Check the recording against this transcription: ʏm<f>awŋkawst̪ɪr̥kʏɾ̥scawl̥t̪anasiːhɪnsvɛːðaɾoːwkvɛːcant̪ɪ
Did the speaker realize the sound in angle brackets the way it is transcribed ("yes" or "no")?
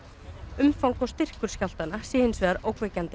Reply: yes